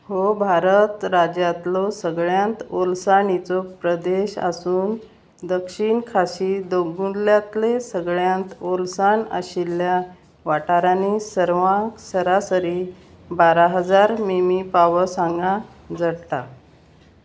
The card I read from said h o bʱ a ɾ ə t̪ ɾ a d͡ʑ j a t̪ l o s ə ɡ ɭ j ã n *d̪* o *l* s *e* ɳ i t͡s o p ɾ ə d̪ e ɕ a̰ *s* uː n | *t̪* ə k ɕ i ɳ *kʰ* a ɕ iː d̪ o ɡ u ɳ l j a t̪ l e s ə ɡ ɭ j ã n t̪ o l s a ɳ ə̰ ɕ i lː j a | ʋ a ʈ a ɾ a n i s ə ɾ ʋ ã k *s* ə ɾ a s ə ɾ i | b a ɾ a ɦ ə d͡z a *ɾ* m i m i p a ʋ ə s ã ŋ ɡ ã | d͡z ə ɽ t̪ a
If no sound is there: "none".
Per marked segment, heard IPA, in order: t̪, l, a, s, d̪, kʰ, s, ɾ

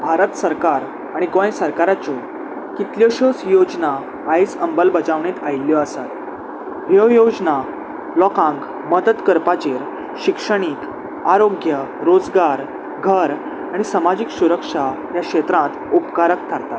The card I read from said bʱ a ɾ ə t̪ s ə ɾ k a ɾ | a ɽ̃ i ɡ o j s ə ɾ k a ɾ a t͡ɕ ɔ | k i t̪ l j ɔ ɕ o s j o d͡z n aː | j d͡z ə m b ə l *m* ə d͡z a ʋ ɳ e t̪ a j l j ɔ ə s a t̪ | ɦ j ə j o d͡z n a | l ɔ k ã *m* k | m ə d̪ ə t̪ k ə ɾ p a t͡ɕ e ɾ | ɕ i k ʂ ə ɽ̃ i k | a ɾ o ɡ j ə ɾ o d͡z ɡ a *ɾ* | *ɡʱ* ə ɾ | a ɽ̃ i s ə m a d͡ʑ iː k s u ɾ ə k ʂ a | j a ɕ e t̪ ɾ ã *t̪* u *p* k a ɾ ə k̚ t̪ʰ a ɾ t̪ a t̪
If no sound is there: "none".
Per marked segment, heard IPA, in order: b, ŋ, ɾ, ɡʱ, t̪, p

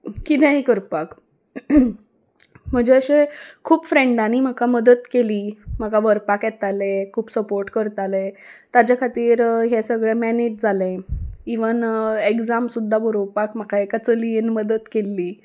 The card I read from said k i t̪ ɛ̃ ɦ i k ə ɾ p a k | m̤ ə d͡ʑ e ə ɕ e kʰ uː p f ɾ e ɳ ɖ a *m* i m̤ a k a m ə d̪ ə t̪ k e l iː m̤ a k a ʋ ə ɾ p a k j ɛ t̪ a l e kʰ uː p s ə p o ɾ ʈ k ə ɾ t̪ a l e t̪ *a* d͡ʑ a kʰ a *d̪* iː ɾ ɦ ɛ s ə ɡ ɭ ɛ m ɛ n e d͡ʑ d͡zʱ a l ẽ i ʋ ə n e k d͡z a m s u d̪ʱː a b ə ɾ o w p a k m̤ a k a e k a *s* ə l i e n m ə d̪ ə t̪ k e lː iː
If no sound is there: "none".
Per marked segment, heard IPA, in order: n, a, t̪, t͡s

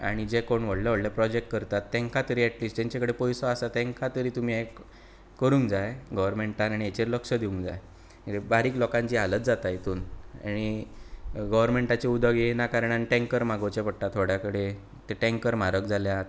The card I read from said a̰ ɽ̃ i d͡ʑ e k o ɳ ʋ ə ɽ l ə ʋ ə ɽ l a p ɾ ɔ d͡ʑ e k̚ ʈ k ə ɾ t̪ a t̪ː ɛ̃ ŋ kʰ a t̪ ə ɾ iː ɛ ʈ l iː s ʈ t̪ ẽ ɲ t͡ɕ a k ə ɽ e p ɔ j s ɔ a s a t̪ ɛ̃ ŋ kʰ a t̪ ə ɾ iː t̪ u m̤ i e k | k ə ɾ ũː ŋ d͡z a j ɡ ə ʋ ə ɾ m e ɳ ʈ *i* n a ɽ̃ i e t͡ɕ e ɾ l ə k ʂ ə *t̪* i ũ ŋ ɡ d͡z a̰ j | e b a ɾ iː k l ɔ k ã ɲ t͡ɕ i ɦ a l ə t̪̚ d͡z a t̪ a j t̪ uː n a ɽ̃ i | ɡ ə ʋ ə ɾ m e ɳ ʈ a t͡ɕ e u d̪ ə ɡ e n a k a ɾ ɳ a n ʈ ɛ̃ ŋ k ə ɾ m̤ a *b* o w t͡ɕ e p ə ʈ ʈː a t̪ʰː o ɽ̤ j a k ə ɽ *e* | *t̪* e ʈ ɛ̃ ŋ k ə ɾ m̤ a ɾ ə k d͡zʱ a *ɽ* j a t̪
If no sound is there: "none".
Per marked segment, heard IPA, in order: a, d̪, ɡ, e, t̪, l

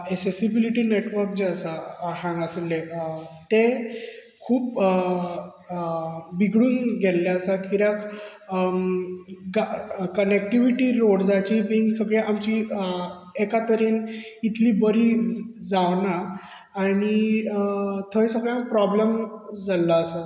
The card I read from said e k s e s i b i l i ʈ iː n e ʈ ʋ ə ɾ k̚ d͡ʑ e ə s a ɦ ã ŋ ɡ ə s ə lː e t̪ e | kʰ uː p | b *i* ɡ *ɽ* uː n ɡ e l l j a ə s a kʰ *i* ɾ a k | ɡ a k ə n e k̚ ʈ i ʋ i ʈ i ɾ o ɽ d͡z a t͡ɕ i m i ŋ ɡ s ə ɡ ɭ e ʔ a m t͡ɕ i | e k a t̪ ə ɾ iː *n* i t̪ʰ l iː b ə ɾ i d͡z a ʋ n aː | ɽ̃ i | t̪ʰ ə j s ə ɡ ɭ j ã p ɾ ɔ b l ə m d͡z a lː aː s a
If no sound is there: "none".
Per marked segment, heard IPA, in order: i, ɽ, i, n

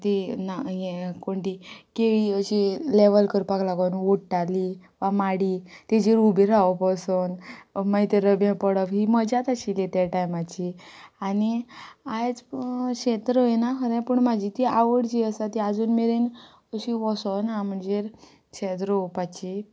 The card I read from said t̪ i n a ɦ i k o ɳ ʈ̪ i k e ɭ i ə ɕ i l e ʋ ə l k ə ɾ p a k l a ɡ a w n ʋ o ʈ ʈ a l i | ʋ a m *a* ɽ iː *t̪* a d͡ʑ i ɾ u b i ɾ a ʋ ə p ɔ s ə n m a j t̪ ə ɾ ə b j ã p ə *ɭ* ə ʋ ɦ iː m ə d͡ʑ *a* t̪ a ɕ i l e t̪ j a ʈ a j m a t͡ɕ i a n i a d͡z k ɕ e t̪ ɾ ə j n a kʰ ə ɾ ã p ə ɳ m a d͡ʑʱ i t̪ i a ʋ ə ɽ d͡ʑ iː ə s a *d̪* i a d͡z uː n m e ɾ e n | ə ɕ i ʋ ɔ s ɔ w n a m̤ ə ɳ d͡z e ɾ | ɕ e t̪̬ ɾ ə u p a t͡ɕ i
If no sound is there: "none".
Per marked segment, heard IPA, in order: a, t̪, ɽ, a, t̪

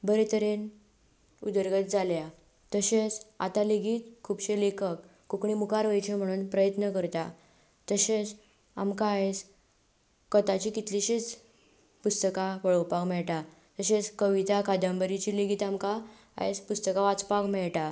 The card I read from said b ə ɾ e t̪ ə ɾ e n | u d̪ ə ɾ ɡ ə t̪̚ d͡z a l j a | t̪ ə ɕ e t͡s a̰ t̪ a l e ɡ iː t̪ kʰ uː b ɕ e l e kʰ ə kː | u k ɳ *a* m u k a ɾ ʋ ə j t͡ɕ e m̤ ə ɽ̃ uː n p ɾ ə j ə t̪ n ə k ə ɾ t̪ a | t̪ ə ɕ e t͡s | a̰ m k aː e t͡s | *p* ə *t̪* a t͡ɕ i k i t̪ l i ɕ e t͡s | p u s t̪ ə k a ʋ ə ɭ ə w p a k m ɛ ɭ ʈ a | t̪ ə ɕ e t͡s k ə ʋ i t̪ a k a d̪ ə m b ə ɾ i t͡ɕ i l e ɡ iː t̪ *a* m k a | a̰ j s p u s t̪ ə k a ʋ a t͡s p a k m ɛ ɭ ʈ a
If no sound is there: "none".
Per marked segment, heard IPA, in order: i, k, t̪, a

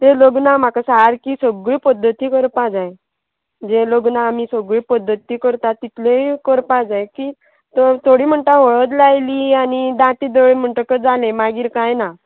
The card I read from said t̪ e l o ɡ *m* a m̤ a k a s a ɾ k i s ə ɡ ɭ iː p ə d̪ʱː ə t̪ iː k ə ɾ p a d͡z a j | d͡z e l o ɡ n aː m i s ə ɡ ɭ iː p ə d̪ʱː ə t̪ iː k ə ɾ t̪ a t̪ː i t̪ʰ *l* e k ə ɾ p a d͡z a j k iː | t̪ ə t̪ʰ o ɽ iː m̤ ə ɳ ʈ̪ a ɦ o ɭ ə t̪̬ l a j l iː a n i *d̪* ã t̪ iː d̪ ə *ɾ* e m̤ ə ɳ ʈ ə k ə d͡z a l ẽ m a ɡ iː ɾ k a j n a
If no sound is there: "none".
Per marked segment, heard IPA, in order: n, l, d̪, ɭ

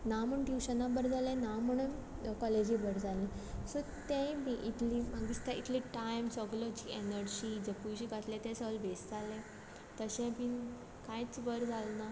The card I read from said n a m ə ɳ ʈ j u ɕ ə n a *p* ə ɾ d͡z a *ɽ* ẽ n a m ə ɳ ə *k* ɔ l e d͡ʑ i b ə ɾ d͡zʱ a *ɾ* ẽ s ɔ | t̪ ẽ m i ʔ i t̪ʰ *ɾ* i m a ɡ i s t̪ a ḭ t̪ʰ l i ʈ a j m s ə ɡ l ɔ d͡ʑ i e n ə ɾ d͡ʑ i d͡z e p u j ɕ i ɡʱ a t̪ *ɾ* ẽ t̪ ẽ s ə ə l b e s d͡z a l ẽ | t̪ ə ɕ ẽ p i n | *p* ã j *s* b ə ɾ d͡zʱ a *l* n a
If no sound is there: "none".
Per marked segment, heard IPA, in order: b, l, k, l, l, l, k, t͡s, l

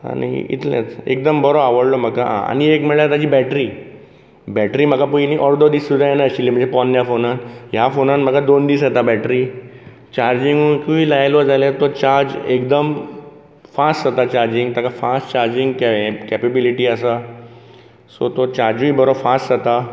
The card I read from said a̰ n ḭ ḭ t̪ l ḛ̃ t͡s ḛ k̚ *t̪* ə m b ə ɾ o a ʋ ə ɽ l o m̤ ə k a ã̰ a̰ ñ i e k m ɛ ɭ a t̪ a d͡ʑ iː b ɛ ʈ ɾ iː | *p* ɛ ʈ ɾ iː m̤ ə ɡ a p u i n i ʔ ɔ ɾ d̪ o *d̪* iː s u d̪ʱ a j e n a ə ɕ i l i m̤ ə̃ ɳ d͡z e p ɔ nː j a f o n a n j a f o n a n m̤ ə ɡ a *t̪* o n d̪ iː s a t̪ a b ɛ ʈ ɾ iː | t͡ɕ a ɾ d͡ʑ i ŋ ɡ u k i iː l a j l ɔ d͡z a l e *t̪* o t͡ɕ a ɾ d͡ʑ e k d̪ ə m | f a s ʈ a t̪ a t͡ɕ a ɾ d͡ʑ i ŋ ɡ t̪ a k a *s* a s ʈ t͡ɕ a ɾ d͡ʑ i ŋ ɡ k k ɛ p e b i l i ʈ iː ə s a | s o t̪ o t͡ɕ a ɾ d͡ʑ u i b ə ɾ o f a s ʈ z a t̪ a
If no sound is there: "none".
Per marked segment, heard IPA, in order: d̪, b, d̪, d̪, t̪, f

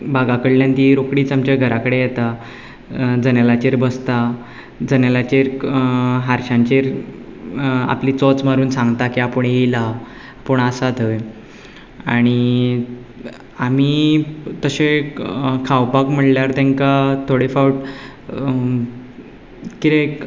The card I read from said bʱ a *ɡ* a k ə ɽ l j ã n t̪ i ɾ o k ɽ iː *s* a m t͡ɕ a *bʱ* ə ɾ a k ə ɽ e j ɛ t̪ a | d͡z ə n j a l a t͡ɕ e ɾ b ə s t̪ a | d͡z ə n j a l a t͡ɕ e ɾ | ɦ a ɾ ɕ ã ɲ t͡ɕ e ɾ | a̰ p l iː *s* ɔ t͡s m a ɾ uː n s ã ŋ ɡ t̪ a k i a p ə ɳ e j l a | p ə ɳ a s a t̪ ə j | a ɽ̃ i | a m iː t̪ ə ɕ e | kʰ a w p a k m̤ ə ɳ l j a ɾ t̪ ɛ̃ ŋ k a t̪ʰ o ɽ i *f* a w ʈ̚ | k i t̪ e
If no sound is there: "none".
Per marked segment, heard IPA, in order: ɡ, t͡s, ɡʱ, t͡s, f

